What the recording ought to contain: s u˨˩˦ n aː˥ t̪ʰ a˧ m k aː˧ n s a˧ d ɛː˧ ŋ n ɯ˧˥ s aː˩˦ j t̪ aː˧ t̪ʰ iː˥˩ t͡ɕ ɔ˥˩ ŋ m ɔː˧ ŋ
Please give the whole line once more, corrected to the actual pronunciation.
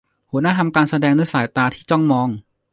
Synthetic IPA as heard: h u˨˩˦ n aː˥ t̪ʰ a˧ m k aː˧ n s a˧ d ɛː˧ ŋ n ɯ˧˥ s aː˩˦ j t̪ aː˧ t̪ʰ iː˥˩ t͡ɕ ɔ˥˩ ŋ m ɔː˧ ŋ